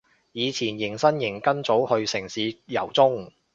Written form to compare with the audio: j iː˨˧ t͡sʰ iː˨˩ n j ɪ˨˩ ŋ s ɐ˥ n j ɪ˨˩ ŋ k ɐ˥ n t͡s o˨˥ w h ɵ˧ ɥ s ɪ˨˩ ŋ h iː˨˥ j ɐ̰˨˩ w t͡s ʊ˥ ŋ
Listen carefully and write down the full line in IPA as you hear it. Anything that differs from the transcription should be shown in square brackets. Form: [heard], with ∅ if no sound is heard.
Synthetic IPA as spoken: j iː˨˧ t͡sʰ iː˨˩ n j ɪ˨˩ ŋ s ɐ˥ n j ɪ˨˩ ŋ k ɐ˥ n t͡s o˨˥ w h ɵ˧ ɥ s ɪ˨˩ ŋ [s] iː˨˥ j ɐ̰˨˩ w t͡s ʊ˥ ŋ